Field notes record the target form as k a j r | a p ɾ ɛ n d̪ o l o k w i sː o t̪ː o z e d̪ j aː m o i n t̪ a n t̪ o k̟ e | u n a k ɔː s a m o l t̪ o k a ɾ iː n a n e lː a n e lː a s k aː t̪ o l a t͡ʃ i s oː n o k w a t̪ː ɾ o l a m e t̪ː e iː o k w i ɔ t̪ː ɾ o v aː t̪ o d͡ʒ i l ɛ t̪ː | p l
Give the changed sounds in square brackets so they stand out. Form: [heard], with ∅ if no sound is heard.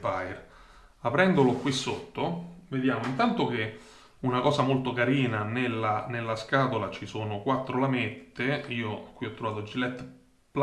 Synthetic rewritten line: [p] a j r | a p ɾ ɛ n d̪ o l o k w i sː o t̪ː o [v] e d̪ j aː m o i n t̪ a n t̪ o k̟ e | u n a k ɔː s a m o l t̪ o k a ɾ iː n a n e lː a n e lː a s k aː t̪ o l a t͡ʃ i s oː n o k w a t̪ː ɾ o l a m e t̪ː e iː o k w i ɔ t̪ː ɾ o v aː t̪ o d͡ʒ i l ɛ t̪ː | p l